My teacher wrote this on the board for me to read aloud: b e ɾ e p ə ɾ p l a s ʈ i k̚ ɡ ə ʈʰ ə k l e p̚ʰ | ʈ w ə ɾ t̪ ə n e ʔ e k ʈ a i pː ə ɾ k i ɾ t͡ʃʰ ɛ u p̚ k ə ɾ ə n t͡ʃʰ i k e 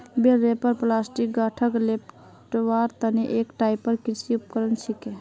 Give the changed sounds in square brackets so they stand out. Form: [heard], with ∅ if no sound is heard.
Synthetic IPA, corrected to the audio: b e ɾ e p ə ɾ p l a s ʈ i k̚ ɡ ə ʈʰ ə k l e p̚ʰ | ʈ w [a] ɾ t̪ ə n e ʔ e k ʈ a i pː ə ɾ k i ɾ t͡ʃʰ [i] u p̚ k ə ɾ ə n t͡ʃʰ i k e